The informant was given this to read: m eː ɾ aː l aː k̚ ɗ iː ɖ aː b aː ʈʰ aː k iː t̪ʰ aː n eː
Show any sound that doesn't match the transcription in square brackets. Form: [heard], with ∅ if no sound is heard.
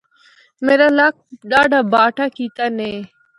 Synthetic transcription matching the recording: m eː ɾ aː l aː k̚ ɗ [aː] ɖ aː b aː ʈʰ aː k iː [t̪] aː n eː